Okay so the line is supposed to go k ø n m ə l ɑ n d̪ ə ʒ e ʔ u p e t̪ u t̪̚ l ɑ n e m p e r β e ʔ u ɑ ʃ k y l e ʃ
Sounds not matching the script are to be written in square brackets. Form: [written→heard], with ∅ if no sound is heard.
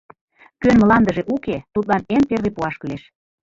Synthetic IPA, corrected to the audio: k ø n m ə l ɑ n d̪ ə ʒ e ʔ u [p→k] e t̪ u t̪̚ l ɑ n e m p e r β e [ʔ→p] u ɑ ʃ k y l e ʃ